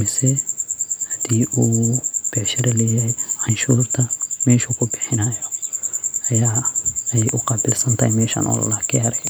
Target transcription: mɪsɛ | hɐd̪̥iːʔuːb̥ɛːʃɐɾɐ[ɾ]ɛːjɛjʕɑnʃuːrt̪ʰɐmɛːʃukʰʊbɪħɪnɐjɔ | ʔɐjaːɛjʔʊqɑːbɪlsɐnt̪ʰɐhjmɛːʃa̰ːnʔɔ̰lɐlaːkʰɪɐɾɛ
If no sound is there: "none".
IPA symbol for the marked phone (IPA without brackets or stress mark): l